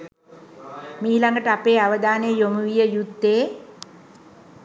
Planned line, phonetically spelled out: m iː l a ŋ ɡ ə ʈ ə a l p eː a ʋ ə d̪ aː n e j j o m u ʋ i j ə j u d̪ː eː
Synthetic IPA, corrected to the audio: m iː l a ŋ ɡ ə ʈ ə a p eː a ʋ ə d̪ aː n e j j o m u ʋ i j ə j u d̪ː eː